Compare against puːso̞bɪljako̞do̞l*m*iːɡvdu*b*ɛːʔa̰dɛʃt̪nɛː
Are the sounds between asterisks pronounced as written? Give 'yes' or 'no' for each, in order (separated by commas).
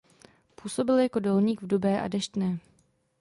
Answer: no, yes